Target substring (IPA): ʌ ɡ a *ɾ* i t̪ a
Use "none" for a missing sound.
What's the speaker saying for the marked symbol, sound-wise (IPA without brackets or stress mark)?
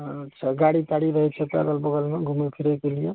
ɽ